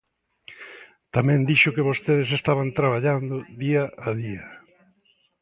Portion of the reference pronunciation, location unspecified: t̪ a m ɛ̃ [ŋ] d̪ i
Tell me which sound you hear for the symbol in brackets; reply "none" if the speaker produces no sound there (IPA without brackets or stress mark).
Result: n